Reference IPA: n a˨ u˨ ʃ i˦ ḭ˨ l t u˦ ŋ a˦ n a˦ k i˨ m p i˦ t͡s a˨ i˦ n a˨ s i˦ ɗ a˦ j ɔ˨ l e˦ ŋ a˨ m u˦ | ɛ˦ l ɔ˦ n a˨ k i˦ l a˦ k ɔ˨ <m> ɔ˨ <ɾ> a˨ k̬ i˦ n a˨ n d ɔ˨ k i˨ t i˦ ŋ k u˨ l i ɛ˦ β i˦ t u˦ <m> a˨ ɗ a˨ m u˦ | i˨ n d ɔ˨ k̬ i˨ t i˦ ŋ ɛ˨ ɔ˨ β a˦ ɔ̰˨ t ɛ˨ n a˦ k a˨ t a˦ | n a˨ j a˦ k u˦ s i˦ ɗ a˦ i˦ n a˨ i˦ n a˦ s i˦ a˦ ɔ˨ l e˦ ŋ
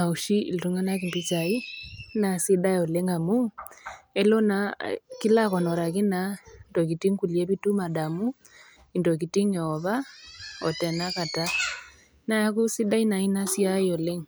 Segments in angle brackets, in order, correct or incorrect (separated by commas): incorrect, correct, correct